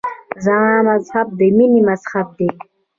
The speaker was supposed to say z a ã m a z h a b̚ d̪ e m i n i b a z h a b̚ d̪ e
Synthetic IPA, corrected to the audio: z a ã m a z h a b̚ d̪ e m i n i m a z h a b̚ d̪ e